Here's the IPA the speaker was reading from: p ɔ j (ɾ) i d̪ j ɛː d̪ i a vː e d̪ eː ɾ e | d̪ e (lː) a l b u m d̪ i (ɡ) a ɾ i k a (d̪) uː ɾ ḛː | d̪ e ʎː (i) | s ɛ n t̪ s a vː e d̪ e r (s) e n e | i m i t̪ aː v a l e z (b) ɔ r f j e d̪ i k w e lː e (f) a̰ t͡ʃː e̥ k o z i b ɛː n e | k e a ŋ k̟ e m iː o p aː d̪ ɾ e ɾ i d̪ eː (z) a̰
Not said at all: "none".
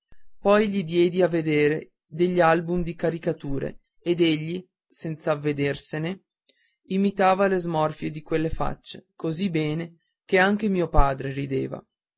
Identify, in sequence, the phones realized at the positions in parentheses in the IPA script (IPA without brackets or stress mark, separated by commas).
ʎ, ʎː, k, t̪, i, s, m, f, v